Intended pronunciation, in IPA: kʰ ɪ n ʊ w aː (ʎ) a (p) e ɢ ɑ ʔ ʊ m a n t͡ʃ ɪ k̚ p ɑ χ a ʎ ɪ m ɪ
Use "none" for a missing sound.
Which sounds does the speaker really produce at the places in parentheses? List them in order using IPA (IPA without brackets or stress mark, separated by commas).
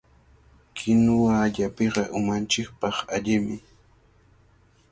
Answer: ʎ, p